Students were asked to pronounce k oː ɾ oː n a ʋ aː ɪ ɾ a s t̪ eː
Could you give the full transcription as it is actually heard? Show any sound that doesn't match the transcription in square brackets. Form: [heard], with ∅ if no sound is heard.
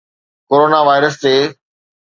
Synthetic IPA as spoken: k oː ɾ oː n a ʋ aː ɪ ɾ [ə] s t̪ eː